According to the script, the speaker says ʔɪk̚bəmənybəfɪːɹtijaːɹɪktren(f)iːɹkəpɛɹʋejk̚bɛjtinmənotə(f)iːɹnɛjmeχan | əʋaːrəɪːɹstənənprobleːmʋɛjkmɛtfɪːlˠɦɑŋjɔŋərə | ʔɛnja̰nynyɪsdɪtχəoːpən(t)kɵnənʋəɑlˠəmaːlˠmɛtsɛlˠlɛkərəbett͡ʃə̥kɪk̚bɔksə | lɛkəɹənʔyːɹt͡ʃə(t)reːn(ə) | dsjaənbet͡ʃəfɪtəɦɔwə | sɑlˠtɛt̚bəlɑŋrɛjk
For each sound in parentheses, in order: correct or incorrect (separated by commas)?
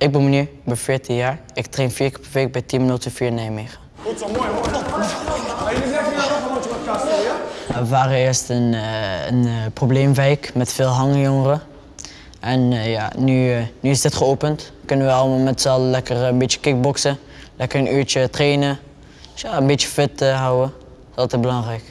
correct, correct, correct, correct, correct